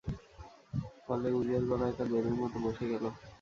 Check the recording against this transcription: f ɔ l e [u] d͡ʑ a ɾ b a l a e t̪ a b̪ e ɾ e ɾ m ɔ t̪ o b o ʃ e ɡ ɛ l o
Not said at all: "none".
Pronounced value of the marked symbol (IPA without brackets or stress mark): u